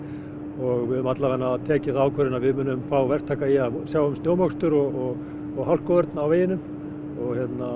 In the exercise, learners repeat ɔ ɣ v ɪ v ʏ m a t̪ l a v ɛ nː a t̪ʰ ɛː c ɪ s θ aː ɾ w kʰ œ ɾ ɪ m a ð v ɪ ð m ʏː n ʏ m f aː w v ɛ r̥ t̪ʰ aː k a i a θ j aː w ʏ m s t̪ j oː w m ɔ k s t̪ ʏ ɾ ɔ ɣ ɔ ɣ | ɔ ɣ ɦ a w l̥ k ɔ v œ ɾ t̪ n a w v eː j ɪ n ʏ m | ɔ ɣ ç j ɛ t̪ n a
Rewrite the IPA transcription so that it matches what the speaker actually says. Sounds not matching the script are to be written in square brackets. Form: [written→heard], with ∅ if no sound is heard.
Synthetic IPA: ɔ ɣ v ɪ [v→ð] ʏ m a t̪ l a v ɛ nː a t̪ʰ ɛː c ɪ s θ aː [ɾ→∅] w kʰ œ ɾ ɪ [m→n] a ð v ɪ ð m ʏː n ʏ m f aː w v ɛ r̥ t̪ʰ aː k a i a [θ→s] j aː w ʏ m s t̪ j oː w m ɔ k s t̪ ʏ ɾ ɔ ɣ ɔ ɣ | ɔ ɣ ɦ a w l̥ k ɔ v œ ɾ t̪ n a w v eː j ɪ n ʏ m | ɔ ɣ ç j ɛ t̪ n a